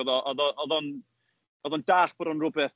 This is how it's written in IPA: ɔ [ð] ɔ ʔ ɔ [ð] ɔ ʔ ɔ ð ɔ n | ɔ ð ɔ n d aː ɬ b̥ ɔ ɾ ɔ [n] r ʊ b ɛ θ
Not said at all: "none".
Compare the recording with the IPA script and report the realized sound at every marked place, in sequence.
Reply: ð, ð, n

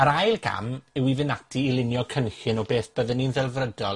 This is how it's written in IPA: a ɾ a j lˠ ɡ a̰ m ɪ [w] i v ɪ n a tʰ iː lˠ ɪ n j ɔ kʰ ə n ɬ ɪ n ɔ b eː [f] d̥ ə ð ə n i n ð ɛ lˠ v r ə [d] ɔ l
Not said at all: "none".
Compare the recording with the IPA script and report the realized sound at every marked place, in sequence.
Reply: w, θ, d

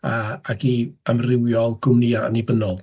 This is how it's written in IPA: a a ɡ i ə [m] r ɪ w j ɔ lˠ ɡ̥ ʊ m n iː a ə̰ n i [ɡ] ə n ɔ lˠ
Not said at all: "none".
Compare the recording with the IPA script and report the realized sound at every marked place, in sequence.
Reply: m, b

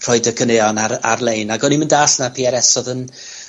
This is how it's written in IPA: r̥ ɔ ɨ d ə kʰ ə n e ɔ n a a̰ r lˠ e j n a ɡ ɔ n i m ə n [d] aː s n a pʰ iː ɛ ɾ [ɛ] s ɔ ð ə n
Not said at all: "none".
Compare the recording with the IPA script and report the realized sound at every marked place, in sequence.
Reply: d, ɛ

